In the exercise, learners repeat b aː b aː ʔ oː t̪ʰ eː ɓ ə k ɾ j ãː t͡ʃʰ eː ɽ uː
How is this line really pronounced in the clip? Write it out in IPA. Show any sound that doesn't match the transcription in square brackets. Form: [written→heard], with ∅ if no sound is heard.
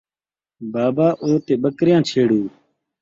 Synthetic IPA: b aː b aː ʔ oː [t̪ʰ→t̪] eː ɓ ə k ɾ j ãː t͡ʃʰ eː ɽ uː